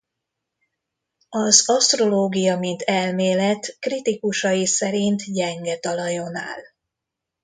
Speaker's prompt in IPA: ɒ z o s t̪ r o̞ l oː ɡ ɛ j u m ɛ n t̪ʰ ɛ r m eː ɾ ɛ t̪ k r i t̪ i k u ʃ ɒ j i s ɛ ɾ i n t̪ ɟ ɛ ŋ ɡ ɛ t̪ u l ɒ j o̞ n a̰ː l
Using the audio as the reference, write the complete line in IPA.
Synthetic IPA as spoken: ɒ z ɒ s t̪ r o̞ l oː ɡ i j ɒ m i n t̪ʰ ɛ l m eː l ɛ t̪ k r i t̪ i k u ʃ ɒ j i s ɛ ɾ i n t̪ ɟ ɛ ŋ ɡ ɛ t̪ ɒ l ɒ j o̞ n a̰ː l